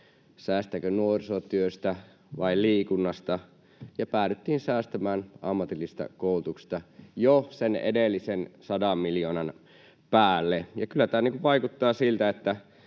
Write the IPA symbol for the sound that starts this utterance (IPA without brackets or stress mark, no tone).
s